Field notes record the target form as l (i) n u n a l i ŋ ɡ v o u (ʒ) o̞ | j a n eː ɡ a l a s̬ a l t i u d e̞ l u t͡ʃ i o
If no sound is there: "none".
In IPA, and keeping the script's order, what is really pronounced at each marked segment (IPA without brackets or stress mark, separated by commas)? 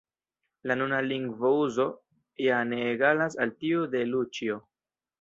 a, z